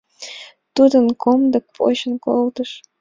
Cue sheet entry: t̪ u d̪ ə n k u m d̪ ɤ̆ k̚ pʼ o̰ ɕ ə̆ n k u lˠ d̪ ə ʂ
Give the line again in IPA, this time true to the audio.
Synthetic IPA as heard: t̪ u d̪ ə n k o m d̪ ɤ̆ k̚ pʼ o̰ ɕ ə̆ n k o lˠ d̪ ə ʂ